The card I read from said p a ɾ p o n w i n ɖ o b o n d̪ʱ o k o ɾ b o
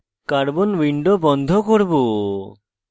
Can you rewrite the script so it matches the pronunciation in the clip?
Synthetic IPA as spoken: k a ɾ b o n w i ɳ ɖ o b ɔ n d̪ʱ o k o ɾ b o